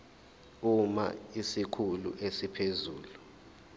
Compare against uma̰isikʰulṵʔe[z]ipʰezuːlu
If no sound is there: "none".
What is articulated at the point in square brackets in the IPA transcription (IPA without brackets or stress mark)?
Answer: s